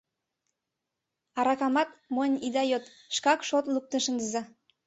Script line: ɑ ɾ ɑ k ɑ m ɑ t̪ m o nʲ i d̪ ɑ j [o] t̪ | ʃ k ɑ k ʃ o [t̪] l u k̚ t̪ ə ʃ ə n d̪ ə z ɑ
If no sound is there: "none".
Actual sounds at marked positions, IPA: o, t̪

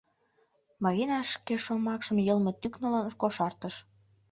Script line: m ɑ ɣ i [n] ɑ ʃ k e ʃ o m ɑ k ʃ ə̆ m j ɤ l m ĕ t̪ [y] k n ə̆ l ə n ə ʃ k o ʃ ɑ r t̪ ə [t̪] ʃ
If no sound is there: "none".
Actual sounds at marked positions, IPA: n, y, none

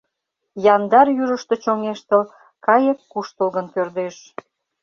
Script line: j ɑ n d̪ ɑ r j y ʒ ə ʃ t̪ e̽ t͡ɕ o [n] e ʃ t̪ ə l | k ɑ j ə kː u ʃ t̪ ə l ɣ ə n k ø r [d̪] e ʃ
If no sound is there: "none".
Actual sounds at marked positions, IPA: ŋ, d̪

